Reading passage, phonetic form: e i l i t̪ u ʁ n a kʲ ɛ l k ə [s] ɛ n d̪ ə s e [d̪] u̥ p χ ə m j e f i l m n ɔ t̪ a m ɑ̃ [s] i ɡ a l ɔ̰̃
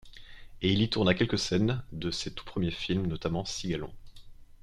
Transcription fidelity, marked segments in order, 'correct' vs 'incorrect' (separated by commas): correct, incorrect, correct